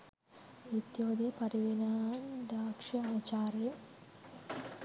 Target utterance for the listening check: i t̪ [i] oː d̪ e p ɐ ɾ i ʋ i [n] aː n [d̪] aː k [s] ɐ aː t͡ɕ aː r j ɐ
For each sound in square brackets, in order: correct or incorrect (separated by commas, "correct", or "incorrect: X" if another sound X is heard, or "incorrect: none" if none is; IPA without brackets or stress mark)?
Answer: incorrect: j, correct, correct, incorrect: ʂ